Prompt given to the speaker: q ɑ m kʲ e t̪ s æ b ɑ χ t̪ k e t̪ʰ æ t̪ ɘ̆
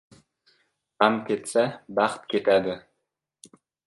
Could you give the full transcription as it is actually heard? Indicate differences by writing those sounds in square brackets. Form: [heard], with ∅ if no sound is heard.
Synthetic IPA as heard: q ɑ m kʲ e t̪ s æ b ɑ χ t̪ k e [t̪] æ [d̪] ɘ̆